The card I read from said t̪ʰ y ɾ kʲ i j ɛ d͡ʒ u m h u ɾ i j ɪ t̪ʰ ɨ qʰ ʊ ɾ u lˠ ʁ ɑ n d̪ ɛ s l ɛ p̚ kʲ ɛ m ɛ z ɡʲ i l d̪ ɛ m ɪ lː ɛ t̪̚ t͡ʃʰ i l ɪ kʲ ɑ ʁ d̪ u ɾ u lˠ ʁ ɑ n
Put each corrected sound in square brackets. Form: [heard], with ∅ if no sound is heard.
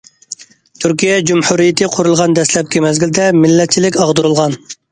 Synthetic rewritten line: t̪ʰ y ɾ kʲ i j ɛ d͡ʒ u m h u ɾ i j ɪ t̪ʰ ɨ qʰ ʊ ɾ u lˠ ʁ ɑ n d̪ ɛ s l ɛ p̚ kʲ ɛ m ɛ z ɡʲ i l d̪ ɛ m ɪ lː ɛ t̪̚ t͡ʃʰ i l ɪ kʲ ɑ ʁ d̪ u ɾ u lˠ ʁ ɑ n